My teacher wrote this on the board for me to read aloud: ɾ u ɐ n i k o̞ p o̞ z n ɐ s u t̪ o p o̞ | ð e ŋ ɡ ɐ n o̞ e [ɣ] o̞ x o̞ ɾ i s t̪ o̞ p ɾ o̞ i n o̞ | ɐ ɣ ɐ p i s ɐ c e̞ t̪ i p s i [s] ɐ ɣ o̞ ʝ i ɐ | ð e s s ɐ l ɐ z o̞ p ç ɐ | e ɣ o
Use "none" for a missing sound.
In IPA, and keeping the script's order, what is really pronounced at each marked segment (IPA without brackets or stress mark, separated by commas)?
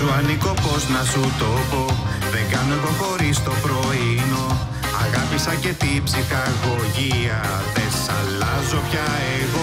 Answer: ɣ, x